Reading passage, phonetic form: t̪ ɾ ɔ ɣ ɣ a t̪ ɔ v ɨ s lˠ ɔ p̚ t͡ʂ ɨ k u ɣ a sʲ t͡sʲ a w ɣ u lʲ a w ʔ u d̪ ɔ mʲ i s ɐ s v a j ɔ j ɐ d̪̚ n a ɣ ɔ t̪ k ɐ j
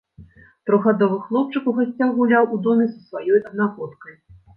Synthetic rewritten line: t̪ ɾ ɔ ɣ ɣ a d̪ ɔ v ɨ x lˠ ɔ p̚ t͡ʂ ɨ k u ɣ a sʲ t͡sʲ a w ɣ u lʲ a w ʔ u d̪ ɔ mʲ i s ɐ s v a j ɔ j ɐ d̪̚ n a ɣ ɔ t̪ k ɐ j